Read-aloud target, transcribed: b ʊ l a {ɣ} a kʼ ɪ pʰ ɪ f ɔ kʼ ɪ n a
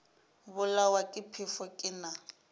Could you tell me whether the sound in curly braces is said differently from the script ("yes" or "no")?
yes